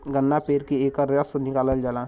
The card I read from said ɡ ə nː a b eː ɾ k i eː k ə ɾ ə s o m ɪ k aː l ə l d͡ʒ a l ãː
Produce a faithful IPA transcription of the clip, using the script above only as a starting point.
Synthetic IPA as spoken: ɡ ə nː a p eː ɾ k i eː k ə ɾ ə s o n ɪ k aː l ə l d͡ʒ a l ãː